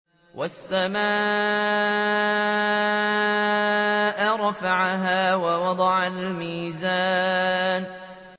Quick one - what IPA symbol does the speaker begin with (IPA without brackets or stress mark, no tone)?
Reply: w